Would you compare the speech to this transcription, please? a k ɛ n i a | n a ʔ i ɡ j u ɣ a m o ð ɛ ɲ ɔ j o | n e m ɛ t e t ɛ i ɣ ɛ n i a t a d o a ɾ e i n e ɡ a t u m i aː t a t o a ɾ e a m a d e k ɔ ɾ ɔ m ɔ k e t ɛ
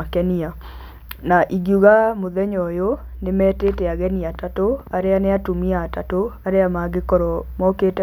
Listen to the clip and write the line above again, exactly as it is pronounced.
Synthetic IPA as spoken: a k ɛ n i a | n a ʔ i ɡ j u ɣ a m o ð ɛ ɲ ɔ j o | n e m ɛ t e t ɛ a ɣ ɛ n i a t a t o a ɾ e a n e a t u m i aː t a t o a ɾ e a m a ɡ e k ɔ ɾ ɔ m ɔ k e t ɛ